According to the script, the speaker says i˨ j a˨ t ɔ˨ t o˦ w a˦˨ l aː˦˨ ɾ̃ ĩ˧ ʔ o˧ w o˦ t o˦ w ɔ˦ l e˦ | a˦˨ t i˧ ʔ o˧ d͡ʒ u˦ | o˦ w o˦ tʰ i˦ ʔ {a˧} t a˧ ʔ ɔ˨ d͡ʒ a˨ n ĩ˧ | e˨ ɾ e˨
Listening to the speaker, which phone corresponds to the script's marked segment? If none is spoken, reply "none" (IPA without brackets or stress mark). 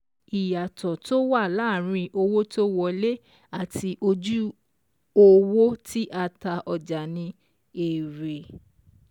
a˧